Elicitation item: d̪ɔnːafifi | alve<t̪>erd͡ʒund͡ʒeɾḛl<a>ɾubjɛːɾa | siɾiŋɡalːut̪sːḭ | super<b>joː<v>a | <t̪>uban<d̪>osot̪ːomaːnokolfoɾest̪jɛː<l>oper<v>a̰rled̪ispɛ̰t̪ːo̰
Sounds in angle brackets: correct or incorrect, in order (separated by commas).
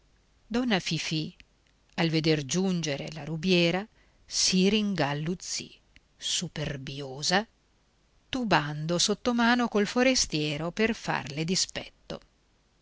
incorrect, correct, correct, incorrect, correct, correct, incorrect, incorrect